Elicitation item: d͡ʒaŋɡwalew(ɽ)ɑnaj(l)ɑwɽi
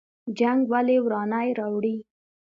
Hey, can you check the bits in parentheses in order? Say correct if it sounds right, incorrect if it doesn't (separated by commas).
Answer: incorrect, incorrect